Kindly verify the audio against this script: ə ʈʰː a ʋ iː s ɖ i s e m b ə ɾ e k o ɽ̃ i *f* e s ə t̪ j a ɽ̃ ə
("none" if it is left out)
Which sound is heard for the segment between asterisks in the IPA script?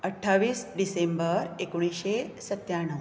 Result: ɕ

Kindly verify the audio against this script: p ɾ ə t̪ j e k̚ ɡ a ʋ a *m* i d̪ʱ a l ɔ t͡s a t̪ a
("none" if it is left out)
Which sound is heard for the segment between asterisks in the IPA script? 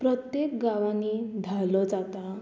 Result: n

